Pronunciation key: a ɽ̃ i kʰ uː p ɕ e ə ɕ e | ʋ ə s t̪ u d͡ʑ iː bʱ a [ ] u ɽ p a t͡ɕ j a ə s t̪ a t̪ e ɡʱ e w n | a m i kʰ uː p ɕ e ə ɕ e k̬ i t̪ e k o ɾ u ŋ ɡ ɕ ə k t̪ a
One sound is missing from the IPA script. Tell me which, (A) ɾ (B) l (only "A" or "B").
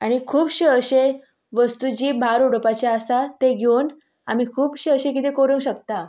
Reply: A